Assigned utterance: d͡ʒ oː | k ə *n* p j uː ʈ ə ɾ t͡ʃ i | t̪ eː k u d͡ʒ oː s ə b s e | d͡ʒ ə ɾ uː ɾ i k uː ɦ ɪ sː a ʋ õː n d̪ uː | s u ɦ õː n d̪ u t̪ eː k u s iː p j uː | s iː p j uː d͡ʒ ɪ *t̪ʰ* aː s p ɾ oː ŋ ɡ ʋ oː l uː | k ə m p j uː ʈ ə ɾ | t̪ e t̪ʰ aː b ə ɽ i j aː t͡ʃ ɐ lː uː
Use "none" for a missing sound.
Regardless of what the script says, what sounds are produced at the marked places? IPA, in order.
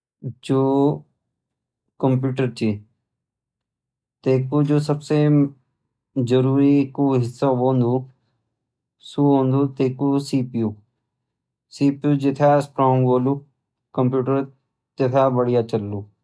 m, t̪ʰ

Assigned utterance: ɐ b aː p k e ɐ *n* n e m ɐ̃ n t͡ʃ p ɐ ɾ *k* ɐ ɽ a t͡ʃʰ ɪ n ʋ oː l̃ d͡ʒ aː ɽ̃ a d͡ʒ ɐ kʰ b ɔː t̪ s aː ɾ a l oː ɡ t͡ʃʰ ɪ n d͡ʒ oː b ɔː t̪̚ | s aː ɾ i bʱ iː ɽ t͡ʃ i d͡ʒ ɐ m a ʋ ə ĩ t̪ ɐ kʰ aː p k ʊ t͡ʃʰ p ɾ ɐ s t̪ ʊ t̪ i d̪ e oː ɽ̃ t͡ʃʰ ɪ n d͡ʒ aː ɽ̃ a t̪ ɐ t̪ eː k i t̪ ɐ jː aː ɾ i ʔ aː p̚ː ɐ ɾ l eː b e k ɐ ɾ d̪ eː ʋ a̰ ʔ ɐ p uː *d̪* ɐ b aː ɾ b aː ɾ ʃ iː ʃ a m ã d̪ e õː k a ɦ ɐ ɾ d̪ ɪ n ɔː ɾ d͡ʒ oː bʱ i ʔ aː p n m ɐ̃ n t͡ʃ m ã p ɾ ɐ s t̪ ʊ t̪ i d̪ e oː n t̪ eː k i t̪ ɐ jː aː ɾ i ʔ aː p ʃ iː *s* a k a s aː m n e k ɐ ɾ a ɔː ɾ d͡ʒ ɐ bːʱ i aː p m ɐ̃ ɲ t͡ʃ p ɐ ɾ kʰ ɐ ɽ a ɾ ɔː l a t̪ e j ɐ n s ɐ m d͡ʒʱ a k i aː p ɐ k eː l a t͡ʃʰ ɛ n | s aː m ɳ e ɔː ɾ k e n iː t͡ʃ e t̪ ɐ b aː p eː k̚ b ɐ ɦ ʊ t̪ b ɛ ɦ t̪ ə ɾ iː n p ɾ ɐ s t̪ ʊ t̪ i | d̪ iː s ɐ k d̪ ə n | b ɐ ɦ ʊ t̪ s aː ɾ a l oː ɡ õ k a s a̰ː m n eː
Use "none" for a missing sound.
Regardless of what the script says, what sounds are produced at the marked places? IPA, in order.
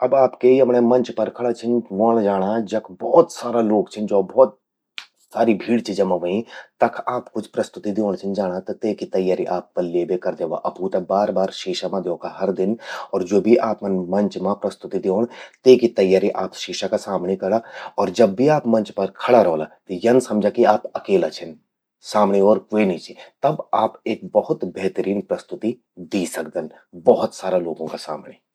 m, kʰ, t̪, ʃ

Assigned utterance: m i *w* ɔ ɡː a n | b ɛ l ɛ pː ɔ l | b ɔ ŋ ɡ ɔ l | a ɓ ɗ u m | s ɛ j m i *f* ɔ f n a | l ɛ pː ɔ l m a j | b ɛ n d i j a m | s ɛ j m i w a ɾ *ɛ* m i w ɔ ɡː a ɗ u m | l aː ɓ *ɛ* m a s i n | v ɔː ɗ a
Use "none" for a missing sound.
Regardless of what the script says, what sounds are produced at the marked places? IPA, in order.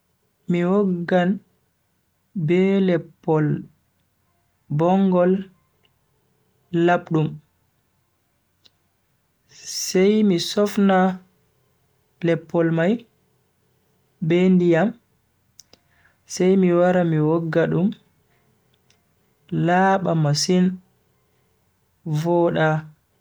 w, s, a, a

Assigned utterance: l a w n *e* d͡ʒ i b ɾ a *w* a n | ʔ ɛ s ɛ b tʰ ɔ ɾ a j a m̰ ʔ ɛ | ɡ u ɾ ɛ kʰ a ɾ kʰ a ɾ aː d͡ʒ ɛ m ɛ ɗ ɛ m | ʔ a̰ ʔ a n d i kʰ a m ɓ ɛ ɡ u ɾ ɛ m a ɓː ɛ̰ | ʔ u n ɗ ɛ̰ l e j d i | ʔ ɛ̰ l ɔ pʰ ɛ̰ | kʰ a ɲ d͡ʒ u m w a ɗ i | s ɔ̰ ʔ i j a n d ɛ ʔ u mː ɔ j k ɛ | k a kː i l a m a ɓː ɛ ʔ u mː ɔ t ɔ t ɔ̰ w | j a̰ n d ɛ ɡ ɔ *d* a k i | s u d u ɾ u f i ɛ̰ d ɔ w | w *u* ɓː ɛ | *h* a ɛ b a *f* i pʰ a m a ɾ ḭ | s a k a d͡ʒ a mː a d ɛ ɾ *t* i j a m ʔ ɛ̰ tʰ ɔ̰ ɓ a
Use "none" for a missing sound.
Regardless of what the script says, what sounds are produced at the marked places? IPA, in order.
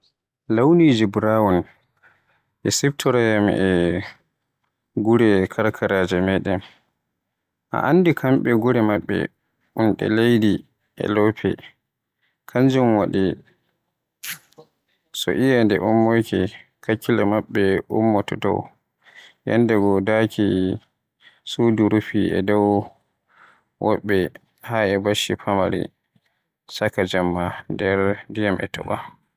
i, w, d, ɔ, h, ʃ, d

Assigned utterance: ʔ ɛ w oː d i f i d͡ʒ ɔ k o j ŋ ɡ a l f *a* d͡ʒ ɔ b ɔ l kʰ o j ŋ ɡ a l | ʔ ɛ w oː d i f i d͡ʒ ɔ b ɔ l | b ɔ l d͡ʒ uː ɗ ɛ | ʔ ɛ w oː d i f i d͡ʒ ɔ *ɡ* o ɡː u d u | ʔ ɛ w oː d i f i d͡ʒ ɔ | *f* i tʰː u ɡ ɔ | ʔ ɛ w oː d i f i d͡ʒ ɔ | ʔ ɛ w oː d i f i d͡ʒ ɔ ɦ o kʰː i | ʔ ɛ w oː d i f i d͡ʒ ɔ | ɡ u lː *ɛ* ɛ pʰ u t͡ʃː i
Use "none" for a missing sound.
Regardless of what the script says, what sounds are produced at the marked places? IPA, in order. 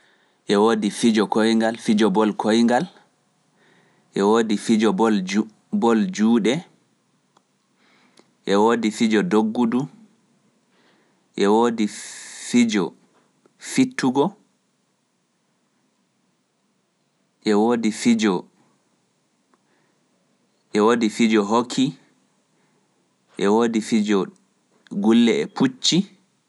i, d, f, ɛ

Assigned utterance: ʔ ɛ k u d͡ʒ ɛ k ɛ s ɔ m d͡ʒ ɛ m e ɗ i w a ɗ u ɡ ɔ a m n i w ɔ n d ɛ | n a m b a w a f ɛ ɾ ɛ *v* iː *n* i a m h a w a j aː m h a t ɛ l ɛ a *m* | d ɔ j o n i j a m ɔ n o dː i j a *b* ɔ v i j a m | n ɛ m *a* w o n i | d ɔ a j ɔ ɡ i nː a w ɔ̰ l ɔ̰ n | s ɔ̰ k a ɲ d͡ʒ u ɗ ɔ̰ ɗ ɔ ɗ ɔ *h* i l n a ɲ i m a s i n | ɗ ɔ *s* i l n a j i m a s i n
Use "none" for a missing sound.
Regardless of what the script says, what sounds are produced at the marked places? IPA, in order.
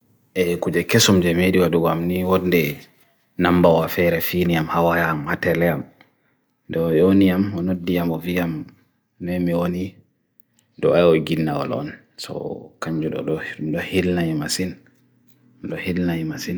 f, n, m, m, i, h, h

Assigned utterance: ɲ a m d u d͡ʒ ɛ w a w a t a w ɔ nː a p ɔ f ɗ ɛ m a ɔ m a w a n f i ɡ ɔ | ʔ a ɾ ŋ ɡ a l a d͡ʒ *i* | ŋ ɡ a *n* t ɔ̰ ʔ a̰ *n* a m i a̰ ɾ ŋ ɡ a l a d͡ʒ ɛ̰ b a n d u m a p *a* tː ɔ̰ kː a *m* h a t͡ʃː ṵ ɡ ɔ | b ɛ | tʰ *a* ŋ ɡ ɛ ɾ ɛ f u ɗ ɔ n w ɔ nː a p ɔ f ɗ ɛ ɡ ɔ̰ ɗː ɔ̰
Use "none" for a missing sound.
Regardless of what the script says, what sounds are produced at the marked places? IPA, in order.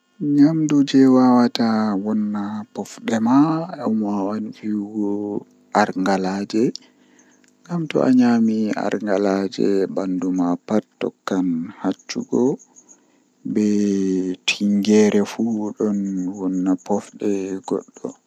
ɛ, m, ɲ, a, n, i

